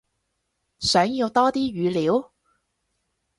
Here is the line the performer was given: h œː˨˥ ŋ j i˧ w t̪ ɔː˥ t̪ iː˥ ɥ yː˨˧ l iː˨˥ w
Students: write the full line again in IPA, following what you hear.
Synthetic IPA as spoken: s œː˨˥ ŋ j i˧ w t̪ ɔː˥ t̪ iː˥ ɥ yː˨˧ l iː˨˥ w